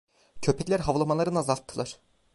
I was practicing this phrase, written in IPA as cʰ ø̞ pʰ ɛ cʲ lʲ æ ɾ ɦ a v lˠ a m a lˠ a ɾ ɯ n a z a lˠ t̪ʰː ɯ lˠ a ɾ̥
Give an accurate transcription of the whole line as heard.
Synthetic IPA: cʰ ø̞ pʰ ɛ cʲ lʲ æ ɾ ɦ a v lˠ a m a lˠ a ɾ ɯ n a z a lˠ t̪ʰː ɯ lˠ a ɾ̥